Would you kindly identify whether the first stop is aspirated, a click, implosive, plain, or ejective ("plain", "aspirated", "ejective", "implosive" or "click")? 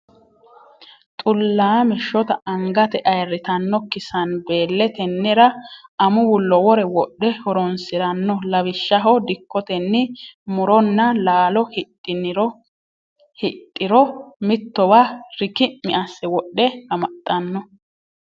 ejective